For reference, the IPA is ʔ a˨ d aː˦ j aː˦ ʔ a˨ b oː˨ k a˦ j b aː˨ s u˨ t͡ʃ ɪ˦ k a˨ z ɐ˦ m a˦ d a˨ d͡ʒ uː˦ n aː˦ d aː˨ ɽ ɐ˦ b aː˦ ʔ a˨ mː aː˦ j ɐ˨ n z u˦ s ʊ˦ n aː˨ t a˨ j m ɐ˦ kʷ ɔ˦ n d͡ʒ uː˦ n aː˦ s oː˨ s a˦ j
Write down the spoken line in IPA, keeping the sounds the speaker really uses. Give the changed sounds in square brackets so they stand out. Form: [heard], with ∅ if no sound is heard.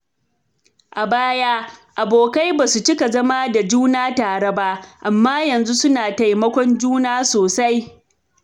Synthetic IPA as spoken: ʔ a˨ [b] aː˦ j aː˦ ʔ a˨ b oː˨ k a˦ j b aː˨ s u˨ t͡ʃ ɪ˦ k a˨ z ɐ˦ m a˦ d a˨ d͡ʒ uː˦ n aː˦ [t] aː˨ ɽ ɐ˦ b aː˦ ʔ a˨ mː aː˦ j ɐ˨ n z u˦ s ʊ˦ n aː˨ t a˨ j m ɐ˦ kʷ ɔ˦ n d͡ʒ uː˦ n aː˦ s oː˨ s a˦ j

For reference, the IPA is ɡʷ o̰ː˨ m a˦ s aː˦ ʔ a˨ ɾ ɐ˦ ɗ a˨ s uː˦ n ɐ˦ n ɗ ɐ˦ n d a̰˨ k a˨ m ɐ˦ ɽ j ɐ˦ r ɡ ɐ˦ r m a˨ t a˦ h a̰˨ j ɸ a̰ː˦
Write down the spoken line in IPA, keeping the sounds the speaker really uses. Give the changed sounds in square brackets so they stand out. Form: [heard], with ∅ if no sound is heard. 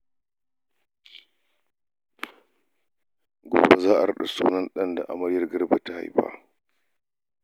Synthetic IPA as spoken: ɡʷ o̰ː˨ [b] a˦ [z] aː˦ ʔ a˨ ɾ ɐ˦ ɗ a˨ s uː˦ n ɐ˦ n ɗ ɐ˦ n d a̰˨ [ʔ] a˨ m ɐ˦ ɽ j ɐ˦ r ɡ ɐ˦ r [b] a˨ t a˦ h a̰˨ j ɸ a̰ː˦

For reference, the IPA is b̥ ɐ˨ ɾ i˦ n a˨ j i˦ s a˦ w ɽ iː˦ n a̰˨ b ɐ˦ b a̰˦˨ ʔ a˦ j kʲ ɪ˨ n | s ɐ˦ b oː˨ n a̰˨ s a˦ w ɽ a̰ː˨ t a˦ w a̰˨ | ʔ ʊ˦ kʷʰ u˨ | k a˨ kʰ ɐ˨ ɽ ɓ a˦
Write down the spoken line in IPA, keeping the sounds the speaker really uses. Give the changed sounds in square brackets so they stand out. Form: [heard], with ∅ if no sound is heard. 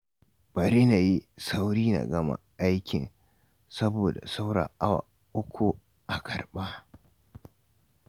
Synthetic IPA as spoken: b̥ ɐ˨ ɾ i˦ n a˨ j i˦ s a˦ w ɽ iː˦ n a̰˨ [ɡ] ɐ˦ [m] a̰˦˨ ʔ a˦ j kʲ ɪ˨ n | s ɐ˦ b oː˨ [d] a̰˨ s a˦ w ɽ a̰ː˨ [ʔ] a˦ w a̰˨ | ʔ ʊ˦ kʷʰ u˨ | [ʔ] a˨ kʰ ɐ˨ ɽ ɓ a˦

